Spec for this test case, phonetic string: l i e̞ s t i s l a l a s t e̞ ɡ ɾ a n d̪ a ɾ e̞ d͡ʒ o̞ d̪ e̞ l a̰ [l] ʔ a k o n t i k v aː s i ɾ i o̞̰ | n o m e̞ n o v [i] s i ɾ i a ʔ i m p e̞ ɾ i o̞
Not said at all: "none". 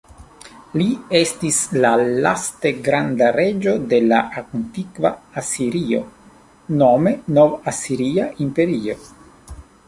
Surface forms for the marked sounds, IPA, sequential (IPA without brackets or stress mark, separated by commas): none, a